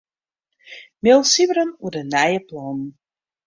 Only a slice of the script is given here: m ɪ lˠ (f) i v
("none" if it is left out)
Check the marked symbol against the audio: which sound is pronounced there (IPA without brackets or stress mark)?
s